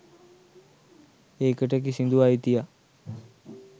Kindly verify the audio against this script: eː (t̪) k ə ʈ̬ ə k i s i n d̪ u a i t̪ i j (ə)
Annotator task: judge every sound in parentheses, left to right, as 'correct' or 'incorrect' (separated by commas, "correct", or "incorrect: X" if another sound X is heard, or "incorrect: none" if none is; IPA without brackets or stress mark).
incorrect: none, incorrect: a